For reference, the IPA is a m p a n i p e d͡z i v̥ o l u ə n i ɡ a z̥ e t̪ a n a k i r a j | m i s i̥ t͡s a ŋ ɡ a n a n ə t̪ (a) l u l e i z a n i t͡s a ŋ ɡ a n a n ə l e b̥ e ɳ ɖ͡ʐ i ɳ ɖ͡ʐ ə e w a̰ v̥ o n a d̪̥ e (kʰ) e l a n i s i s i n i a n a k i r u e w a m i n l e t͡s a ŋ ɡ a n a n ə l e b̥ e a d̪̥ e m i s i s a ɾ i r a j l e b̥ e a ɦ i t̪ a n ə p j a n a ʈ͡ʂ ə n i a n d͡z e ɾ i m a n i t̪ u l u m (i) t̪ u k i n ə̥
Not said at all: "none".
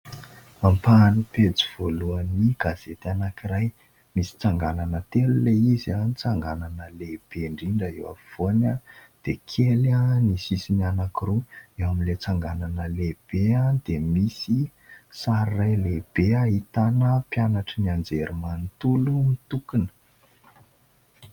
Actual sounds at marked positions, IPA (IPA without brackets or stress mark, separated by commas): e, kʰ, i